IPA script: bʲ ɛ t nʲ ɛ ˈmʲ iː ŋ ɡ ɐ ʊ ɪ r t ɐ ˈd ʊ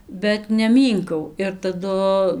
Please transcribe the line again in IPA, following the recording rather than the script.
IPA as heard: bʲ ɛ t nʲ ɛ ˈmʲ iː ŋ k ɐ ʊ ɪ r t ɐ ˈd ʊ